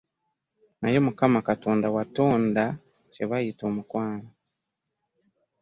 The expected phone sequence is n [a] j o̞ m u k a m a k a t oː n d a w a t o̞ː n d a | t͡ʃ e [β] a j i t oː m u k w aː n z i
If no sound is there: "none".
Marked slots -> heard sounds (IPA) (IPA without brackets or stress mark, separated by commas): a, β